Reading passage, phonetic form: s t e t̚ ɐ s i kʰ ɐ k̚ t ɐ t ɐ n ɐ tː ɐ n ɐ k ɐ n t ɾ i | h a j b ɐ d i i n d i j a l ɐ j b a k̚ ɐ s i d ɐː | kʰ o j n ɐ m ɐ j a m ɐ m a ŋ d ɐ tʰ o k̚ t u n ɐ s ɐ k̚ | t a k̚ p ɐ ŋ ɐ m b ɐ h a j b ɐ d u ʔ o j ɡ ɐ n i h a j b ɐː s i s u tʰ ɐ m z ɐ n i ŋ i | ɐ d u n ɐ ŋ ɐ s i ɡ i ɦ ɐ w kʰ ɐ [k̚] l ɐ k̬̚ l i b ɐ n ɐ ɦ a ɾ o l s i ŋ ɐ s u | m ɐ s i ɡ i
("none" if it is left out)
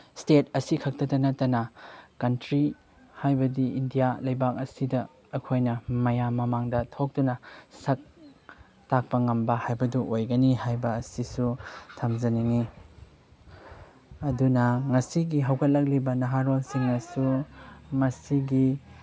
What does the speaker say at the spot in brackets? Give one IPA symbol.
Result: t̚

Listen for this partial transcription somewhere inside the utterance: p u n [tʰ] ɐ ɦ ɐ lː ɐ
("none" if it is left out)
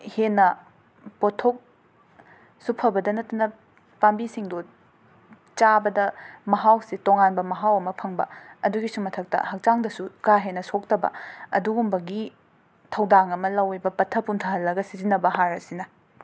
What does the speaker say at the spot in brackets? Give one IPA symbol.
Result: tʰ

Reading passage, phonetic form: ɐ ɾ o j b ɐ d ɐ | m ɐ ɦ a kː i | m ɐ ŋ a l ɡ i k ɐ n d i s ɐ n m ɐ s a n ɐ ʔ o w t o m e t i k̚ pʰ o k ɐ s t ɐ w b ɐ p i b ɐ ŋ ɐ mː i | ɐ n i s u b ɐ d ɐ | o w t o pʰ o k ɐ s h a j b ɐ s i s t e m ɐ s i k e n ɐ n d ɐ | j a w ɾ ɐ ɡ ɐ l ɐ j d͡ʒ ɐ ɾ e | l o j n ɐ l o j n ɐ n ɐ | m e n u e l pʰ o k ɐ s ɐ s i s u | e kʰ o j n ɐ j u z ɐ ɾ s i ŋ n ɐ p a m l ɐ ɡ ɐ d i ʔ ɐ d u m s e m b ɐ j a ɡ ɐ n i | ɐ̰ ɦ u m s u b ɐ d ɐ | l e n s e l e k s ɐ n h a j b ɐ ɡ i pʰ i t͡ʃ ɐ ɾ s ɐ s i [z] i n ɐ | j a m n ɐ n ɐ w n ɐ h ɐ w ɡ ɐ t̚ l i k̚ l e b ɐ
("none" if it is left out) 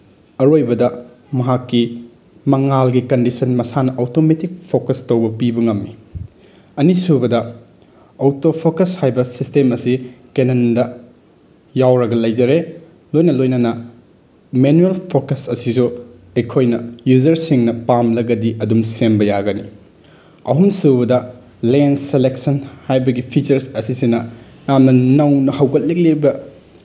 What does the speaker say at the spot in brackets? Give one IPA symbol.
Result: s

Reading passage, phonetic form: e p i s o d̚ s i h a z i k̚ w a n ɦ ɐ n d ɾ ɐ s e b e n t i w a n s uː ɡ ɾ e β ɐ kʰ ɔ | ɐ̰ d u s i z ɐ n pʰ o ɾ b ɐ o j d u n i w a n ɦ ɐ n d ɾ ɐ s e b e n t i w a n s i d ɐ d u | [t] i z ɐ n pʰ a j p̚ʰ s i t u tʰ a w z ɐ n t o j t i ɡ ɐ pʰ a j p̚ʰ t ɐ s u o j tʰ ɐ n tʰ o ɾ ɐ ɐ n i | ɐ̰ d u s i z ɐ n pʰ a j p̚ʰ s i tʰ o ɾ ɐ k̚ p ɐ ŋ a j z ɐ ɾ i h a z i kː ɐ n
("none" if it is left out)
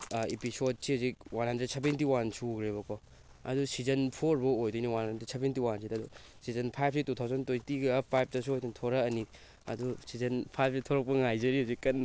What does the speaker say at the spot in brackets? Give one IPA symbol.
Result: s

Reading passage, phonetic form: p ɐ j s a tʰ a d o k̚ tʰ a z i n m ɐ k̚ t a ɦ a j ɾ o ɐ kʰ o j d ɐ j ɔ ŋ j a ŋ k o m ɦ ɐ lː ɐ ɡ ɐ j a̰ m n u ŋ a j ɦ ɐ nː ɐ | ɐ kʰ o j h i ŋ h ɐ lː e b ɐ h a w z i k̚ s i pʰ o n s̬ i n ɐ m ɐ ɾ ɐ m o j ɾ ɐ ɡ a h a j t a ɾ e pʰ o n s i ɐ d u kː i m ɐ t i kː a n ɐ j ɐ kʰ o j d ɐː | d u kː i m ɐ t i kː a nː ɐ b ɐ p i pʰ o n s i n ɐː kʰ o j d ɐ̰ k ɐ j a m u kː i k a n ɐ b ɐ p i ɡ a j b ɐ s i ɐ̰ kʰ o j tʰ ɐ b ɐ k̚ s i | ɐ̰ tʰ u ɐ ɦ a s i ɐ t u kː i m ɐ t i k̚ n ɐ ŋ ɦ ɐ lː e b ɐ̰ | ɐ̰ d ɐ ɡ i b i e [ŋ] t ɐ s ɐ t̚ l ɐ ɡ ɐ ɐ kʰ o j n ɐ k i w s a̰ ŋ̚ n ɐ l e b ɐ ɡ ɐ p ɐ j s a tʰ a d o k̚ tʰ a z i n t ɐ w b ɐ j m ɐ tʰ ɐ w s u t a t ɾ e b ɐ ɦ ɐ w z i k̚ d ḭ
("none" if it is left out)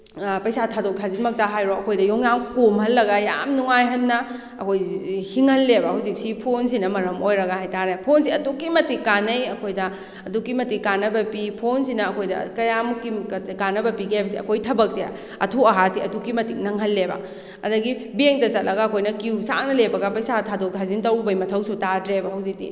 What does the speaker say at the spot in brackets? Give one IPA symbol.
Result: ŋ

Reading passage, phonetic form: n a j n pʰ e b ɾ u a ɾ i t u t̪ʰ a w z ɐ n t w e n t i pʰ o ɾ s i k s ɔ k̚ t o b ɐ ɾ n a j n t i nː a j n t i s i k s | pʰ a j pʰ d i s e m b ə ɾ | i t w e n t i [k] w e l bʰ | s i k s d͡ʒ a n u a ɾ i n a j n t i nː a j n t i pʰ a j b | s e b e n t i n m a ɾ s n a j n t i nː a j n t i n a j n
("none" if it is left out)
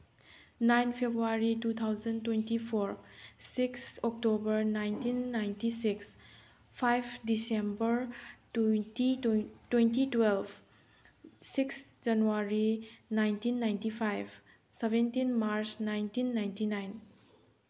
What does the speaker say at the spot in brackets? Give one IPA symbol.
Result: t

